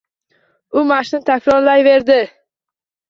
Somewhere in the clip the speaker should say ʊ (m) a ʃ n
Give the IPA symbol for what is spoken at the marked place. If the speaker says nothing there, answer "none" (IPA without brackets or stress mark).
m